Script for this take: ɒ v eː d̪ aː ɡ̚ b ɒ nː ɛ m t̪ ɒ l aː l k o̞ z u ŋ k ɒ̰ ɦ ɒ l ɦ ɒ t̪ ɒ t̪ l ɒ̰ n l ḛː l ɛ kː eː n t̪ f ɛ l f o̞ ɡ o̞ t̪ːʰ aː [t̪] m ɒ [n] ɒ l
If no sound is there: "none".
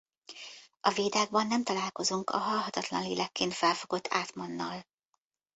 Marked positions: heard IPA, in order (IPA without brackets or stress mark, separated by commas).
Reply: t̪, nː